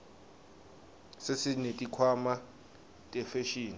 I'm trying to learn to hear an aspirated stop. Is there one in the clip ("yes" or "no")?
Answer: yes